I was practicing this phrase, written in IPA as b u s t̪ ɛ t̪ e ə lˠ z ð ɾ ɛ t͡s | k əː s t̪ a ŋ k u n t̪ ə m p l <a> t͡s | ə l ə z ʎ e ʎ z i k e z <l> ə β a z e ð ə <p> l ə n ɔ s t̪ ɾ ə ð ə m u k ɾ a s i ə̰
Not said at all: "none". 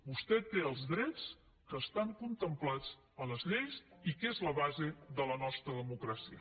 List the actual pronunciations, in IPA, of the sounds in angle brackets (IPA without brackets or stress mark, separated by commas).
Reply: a, l, none